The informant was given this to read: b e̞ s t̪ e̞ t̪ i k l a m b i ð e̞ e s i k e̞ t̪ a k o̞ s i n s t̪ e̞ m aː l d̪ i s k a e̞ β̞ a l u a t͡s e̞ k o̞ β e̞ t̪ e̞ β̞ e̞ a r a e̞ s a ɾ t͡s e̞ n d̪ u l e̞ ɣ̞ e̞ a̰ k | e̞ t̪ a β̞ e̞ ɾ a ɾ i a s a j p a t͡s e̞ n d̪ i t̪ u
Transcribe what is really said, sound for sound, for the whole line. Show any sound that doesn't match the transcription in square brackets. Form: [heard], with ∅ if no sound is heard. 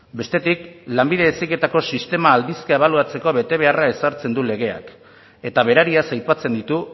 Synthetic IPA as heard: b e̞ s t̪ e̞ t̪ i k l a m b i ð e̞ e s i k e̞ t̪ a k o̞ s i [∅] s t̪ e̞ m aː l d̪ i s k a e̞ β̞ a l u a t͡s e̞ k o̞ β e̞ t̪ e̞ β̞ e̞ a r a e̞ s a ɾ t͡s e̞ n d̪ u l e̞ ɣ̞ e̞ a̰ k | e̞ t̪ a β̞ e̞ ɾ a ɾ i a s a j p a t͡s e̞ n d̪ i t̪ u